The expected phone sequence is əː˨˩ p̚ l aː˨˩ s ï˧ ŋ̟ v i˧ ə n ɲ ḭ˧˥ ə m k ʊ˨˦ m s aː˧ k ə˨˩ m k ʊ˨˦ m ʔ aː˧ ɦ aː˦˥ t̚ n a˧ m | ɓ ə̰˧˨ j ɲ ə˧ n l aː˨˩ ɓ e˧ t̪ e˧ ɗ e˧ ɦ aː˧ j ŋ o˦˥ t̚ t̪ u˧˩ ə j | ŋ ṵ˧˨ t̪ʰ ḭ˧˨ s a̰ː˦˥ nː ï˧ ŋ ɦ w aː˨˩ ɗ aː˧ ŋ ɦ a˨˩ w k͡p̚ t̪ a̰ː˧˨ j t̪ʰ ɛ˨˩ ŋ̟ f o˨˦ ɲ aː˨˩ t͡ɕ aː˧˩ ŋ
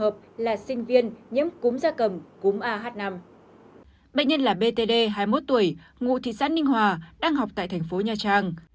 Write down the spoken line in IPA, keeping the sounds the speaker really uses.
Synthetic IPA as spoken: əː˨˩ p̚ l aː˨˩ s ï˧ ŋ̟ v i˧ ə n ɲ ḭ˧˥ ə m k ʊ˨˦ m z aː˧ k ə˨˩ m k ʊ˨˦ m ʔ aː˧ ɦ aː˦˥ t̚ n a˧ m | ɓ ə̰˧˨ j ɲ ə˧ n l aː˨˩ ɓ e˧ t̪ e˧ ɗ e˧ ɦ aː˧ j m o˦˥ t̚ t̪ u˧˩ ə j | ŋ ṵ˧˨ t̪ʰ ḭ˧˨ s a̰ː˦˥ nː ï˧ ŋ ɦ w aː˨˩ ɗ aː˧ ŋ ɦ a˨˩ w k͡p̚ t̪ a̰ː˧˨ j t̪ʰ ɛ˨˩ ŋ̟ f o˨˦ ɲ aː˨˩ t͡ɕ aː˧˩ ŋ